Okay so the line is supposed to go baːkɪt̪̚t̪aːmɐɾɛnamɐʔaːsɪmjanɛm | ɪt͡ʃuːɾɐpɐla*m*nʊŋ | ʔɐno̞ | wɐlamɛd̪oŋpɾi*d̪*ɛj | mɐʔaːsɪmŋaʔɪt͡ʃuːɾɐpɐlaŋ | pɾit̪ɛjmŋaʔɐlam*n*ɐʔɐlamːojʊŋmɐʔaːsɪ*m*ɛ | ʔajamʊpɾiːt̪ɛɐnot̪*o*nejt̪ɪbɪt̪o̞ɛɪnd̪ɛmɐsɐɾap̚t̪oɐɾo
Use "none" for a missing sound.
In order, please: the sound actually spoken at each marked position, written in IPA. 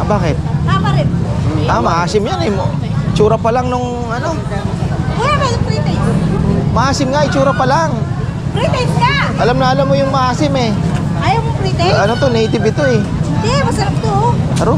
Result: ŋ, t̪, n, m, o

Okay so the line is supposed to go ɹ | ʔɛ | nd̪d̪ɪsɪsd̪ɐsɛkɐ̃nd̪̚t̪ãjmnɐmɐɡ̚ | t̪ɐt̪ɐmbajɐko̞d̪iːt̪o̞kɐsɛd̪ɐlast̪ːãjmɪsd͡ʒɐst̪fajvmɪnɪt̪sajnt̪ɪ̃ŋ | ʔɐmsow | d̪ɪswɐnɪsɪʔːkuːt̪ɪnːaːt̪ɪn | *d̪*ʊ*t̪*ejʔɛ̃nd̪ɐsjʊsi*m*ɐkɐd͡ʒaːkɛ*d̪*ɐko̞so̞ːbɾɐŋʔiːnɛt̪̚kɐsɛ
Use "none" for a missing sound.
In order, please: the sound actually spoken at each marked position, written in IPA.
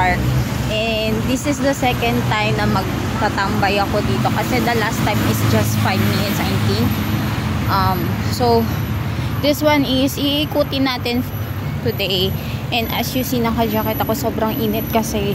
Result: t̪, d̪, n, t̪

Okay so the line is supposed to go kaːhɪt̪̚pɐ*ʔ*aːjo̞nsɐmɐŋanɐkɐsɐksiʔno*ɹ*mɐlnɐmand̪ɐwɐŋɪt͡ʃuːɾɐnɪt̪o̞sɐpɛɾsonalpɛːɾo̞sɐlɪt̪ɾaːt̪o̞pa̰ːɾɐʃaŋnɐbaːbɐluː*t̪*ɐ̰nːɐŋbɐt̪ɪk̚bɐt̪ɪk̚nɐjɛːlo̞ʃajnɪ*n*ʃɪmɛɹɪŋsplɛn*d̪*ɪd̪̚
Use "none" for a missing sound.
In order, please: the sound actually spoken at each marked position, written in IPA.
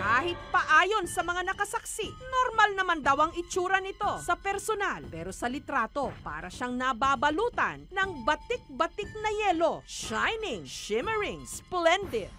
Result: ʔ, ɾ, t̪, ŋ, d̪

